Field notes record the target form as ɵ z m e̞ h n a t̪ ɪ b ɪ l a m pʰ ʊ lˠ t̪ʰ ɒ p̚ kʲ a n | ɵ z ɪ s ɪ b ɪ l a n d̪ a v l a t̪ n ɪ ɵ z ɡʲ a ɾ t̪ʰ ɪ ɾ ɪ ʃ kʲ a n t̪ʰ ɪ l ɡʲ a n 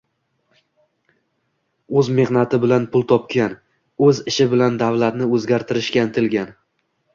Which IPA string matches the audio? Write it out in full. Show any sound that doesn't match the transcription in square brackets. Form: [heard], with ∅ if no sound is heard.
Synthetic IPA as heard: ɵ z m e̞ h n a t̪ ɪ b ɪ l a [n] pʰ ʊ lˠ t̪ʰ ɒ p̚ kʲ a n | ɵ z ɪ [ʃ] ɪ b ɪ l a n d̪ a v l a t̪ n ɪ ɵ z ɡʲ a ɾ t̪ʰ ɪ ɾ ɪ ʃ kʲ a n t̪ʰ ɪ l ɡʲ a n